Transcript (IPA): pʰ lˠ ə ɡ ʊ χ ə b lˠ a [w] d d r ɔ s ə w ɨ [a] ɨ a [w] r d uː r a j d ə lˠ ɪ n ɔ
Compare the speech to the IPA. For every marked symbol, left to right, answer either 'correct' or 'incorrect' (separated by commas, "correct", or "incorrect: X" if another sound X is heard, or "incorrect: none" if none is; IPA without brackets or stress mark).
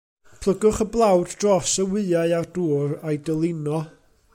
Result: correct, correct, incorrect: none